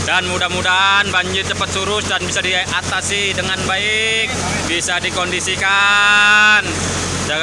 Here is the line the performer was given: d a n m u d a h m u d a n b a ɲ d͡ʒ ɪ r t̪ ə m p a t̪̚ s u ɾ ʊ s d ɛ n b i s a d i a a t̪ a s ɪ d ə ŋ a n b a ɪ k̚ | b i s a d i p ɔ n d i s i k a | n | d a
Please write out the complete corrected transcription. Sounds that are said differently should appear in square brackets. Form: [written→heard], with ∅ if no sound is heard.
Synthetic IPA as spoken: d a n m u d a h m u d a n b a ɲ d͡ʒ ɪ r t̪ ə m p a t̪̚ s u ɾ ʊ s d [ɛ→a] n b i s a d i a a t̪ a s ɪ d ə ŋ a n b a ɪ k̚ | b i s a d i [p→k] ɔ n d i s i k a | n | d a